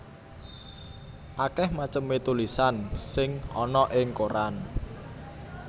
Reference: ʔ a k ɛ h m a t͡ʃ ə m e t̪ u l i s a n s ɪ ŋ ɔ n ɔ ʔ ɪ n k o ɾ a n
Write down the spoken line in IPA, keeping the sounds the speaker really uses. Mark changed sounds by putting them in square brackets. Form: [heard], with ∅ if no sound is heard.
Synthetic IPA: ʔ a k ɛ h m a t͡ʃ ə m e t̪ u l i s a n s ɪ ŋ ɔ n ɔ ʔ ɪ [ŋ] k o ɾ a n